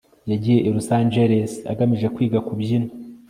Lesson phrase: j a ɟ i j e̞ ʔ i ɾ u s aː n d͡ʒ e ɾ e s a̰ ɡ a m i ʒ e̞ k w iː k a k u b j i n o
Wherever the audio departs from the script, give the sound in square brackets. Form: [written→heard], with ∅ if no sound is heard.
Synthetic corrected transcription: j a ɟ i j e̞ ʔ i ɾ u s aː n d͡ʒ e ɾ e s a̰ ɡ a m i ʒ e̞ k w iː [k→ɡ] a k u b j i n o